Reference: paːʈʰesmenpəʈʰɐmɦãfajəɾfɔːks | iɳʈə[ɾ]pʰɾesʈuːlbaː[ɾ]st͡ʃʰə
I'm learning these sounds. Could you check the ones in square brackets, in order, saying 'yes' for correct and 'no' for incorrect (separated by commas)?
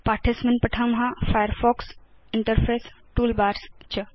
yes, yes